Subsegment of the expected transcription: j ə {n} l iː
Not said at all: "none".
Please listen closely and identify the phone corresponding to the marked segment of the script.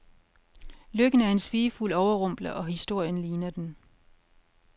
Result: n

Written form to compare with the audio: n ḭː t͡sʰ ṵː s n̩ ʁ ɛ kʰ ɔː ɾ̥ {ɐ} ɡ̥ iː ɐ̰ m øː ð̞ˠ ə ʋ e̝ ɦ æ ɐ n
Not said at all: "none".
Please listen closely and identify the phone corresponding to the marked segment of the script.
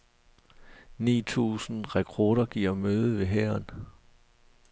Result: ɐ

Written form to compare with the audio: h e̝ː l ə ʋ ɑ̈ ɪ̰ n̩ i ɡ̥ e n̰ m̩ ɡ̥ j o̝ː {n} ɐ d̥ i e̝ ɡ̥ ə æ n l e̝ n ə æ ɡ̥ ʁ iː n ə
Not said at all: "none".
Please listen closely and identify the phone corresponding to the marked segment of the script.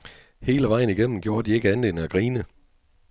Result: none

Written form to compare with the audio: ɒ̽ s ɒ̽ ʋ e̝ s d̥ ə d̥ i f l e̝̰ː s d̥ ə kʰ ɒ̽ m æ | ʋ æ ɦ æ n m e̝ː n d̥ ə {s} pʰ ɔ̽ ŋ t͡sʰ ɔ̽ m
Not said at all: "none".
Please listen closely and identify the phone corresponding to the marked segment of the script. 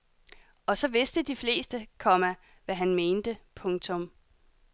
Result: none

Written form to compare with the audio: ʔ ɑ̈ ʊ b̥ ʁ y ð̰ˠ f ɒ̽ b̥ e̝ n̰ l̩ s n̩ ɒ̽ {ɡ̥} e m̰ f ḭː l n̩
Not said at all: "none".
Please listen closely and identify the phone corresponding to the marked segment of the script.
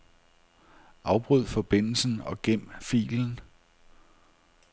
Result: ɡ̥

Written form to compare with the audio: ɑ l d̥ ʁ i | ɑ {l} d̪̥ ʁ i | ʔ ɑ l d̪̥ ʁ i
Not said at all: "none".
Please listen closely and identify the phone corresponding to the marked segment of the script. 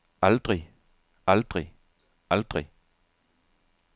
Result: l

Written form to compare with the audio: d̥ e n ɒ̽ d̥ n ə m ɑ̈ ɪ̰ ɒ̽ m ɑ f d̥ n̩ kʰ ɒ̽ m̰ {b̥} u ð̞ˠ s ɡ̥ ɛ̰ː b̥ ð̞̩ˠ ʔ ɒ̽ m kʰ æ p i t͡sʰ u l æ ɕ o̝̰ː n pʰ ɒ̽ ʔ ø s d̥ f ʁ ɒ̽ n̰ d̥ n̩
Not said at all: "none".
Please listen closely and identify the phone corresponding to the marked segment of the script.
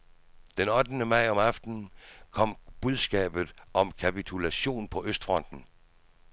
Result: b̥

